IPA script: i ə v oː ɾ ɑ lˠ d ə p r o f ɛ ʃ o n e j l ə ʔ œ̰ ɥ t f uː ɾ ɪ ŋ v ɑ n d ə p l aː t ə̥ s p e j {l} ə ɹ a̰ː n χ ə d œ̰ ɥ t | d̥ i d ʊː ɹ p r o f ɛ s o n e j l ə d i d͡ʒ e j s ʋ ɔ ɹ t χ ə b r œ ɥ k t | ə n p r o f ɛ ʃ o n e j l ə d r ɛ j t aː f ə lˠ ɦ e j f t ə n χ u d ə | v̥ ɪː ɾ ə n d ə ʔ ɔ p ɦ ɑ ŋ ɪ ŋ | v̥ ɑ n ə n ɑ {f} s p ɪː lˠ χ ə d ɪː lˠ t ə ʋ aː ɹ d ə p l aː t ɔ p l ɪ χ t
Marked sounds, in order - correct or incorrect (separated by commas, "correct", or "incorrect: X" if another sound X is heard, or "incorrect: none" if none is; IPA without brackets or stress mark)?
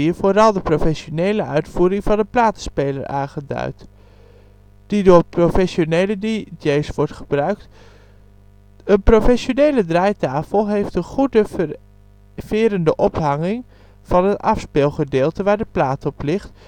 correct, correct